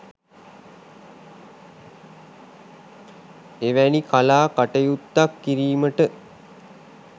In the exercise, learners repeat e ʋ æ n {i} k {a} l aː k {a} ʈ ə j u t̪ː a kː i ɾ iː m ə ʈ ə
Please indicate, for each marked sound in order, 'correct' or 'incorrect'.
correct, correct, correct

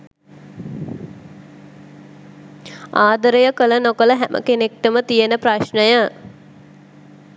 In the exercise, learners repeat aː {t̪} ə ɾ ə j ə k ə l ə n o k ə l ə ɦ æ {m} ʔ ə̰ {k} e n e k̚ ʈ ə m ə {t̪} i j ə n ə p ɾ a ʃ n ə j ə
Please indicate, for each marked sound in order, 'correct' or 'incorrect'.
incorrect: d̪, correct, correct, correct

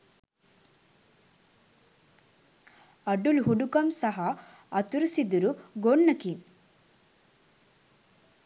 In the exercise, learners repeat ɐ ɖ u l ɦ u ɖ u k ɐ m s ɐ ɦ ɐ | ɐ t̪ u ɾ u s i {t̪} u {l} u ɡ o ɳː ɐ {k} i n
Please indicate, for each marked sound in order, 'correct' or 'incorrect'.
incorrect: d̪, incorrect: ɾ, correct

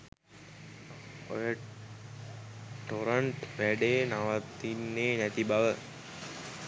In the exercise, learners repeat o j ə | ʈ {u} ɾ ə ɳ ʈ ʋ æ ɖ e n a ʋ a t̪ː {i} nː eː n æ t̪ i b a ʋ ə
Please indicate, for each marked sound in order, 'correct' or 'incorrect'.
incorrect: o, correct

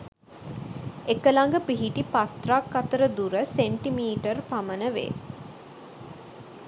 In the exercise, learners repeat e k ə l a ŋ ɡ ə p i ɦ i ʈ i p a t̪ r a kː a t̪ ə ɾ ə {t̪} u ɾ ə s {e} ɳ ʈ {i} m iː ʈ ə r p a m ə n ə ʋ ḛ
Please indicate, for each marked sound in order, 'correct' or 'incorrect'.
incorrect: d̪, correct, correct

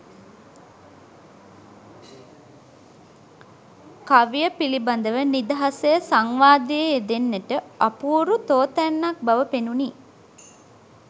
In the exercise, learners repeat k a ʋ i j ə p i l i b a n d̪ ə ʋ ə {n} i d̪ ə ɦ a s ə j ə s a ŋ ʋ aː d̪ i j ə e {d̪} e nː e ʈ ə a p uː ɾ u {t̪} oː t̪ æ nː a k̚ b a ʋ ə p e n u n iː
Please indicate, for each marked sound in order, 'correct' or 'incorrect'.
correct, correct, correct

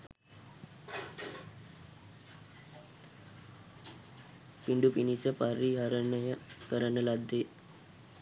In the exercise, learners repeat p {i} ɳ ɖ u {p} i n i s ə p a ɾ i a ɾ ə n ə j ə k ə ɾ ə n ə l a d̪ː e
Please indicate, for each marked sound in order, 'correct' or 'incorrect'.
correct, correct

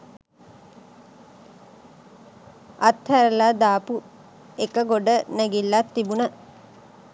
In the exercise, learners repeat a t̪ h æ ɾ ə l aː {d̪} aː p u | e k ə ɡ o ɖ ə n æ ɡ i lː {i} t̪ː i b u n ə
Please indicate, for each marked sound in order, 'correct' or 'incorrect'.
correct, incorrect: a

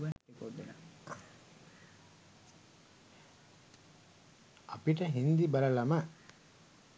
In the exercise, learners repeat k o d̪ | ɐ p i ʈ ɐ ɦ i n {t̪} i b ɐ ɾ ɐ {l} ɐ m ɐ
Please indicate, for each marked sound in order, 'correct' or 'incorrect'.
incorrect: d̪, correct

